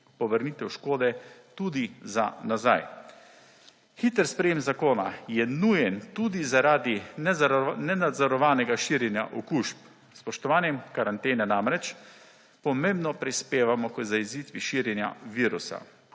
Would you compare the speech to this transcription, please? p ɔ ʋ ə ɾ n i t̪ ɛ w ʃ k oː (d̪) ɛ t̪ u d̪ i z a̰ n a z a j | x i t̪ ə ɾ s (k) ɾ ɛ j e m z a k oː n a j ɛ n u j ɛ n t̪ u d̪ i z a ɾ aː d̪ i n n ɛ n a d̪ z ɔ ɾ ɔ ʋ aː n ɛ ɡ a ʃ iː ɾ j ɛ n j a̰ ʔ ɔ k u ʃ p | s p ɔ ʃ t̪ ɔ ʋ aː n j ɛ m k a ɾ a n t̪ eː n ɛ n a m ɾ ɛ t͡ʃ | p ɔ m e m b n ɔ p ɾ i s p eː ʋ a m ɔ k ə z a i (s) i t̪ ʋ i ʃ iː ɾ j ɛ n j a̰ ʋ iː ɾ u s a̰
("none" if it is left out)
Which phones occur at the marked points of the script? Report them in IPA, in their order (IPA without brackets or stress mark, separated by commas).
d̪, p, z